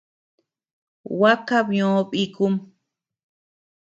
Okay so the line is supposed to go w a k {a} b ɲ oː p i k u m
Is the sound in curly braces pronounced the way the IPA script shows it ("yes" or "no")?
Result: yes